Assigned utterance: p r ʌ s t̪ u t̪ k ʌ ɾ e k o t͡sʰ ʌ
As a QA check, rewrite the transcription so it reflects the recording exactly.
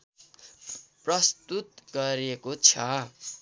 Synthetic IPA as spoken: p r ʌ s t̪ u t̪ ɡ ʌ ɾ e k o t͡sʰ ʌ